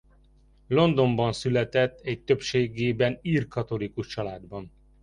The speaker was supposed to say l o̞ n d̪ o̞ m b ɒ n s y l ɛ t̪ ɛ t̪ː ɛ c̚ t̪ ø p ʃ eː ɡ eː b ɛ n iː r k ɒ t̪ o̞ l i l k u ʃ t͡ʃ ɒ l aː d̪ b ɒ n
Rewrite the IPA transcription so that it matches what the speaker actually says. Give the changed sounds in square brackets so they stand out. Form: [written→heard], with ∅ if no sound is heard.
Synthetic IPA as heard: l o̞ n d̪ o̞ m b ɒ n s y l ɛ t̪ ɛ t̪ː ɛ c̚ t̪ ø p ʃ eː ɡ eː b ɛ n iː r k ɒ t̪ o̞ l i [l→∅] k u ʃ t͡ʃ ɒ l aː d̪ b ɒ n

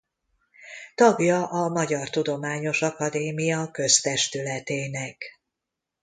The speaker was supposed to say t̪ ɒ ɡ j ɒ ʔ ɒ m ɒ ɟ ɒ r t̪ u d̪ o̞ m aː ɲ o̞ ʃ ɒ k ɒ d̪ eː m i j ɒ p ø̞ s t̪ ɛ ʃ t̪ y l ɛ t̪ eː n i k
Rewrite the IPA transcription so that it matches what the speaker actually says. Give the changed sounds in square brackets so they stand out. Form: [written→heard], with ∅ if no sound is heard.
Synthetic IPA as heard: t̪ ɒ ɡ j ɒ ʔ ɒ m ɒ ɟ ɒ r t̪ u d̪ o̞ m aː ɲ o̞ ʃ ɒ k ɒ d̪ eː m i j ɒ [p→k] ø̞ s t̪ ɛ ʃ t̪ y l ɛ t̪ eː n [i→ɛ] k

